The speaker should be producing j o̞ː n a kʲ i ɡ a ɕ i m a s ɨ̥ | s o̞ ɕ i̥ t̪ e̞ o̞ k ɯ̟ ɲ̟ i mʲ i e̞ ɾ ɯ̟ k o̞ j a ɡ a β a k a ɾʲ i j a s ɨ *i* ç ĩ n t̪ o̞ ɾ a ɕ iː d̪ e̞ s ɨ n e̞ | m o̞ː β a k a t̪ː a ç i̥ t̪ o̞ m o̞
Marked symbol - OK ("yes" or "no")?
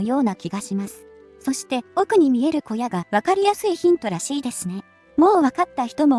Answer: yes